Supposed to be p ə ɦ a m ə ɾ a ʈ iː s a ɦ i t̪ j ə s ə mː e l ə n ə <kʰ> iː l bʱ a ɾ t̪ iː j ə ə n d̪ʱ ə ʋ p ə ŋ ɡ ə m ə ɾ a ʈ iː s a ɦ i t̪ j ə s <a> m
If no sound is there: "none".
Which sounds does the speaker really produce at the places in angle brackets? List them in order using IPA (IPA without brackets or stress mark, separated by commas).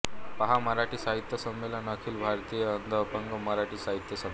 kʰ, ə